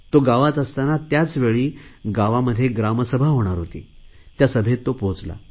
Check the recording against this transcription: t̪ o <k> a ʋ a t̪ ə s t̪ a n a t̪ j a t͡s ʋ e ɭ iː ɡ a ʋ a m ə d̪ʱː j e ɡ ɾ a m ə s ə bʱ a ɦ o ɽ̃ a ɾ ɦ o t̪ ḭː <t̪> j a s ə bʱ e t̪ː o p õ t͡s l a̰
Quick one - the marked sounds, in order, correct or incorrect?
incorrect: ɡ, correct

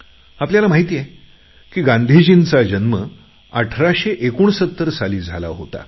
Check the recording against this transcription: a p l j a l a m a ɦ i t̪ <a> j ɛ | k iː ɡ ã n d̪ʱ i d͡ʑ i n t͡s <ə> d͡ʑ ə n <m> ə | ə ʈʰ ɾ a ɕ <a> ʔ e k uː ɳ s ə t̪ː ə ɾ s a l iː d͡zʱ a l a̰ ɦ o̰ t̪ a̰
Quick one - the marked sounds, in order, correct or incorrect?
incorrect: i, incorrect: a, correct, incorrect: e

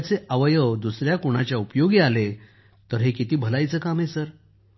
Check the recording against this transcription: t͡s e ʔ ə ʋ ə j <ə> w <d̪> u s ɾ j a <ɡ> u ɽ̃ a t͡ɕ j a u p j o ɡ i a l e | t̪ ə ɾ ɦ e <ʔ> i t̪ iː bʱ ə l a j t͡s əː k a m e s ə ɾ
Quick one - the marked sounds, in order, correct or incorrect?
correct, correct, incorrect: k, incorrect: k

